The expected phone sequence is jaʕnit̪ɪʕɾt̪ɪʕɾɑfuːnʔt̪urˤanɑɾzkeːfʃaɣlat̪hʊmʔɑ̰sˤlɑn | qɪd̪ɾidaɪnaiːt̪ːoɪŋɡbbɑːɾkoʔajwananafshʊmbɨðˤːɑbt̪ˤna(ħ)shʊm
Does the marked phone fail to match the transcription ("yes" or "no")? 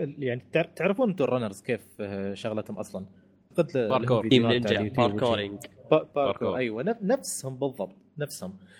yes